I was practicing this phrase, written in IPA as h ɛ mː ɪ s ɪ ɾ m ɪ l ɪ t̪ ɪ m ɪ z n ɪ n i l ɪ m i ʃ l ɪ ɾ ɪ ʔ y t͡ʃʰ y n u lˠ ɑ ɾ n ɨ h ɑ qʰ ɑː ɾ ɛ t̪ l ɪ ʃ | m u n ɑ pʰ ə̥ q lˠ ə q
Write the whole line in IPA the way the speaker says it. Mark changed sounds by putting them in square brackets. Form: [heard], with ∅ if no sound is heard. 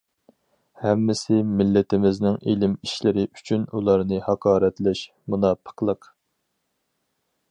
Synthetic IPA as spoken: h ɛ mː ɪ s ɪ [∅] m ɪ [lː] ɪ t̪ ɪ m ɪ z n ɪ [ŋ] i l ɪ m i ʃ l ɪ ɾ ɪ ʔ y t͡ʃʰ y n u lˠ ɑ ɾ n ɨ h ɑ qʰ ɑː ɾ ɛ t̪ l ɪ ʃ | m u n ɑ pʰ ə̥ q lˠ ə q